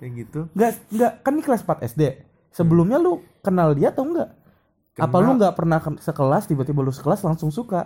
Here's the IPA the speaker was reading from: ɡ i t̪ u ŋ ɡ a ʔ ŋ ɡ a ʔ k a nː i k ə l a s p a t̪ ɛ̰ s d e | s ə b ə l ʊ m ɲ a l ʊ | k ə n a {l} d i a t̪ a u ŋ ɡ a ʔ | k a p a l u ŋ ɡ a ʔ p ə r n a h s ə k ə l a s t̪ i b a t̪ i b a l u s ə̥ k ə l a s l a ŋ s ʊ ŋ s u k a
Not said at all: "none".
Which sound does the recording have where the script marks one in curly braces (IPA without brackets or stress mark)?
l